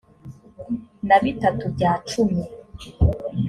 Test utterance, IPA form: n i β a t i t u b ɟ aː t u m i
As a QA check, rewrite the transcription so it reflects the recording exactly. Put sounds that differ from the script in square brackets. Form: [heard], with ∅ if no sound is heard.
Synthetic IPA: n [a] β [i] t [a] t u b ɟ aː [t͡ʃ] u m i